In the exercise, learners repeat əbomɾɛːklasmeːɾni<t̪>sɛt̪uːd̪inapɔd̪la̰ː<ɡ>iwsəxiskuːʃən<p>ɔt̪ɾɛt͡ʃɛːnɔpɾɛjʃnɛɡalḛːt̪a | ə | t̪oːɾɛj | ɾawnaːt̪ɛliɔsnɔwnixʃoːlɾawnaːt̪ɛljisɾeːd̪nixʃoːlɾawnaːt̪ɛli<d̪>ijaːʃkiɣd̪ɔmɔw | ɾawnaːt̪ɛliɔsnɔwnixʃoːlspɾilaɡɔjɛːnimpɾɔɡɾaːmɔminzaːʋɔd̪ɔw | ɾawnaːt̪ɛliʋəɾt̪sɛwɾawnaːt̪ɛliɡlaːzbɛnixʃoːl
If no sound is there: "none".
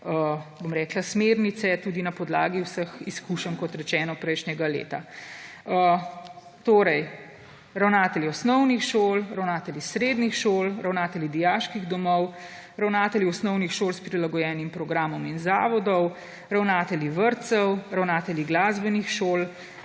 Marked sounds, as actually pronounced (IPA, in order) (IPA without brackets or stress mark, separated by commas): t̪, ɡ, k, d̪